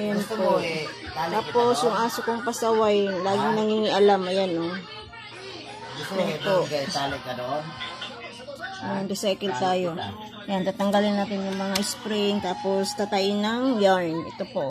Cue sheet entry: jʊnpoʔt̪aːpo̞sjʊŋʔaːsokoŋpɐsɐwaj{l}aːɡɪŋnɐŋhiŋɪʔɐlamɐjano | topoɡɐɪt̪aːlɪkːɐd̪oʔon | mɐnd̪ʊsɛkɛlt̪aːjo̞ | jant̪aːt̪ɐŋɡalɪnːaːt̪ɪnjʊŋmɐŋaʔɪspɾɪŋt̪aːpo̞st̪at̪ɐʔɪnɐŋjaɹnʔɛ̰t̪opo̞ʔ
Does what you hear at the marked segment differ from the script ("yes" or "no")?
no